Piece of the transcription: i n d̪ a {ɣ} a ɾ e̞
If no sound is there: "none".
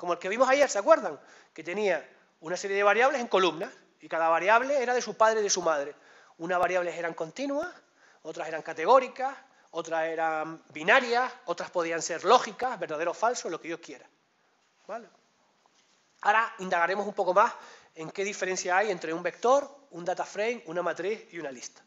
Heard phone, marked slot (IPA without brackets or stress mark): ɣ